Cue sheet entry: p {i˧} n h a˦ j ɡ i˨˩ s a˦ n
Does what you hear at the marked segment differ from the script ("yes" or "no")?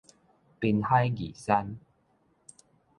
no